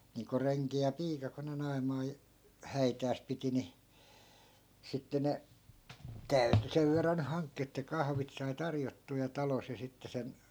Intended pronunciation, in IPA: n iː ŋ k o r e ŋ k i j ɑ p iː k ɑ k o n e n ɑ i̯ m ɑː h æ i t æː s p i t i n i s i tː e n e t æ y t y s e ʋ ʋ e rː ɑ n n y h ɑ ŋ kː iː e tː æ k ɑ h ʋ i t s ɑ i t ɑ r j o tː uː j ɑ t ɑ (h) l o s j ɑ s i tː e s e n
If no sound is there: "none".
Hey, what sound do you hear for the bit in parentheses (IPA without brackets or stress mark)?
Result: none